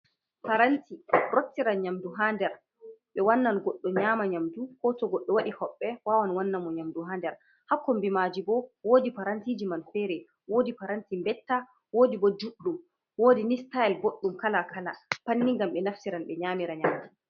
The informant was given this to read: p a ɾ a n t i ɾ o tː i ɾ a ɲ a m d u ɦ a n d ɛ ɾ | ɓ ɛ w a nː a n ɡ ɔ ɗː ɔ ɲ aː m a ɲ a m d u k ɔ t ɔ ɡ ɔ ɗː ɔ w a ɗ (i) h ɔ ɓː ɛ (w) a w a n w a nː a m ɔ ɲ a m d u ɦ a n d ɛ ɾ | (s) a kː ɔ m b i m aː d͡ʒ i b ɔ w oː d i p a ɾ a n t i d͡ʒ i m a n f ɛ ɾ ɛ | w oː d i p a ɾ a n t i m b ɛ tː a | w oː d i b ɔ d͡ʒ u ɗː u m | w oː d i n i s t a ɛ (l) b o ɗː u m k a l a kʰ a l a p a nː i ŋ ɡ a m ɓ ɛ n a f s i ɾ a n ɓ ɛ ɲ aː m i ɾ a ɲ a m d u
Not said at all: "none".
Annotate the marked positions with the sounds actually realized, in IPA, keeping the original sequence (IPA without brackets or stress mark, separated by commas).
i, w, h, l